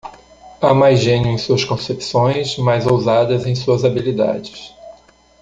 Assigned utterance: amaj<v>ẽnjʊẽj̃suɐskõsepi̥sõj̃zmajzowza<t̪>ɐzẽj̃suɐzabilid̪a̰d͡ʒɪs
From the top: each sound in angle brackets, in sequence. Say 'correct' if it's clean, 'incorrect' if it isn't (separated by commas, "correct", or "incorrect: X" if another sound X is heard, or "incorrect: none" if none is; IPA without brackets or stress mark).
incorrect: ʒ, incorrect: d̪